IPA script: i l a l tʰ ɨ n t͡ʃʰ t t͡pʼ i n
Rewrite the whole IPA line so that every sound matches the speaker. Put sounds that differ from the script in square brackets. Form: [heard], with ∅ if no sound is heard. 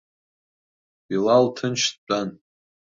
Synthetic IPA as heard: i l a l tʰ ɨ n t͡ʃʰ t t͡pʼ [a] n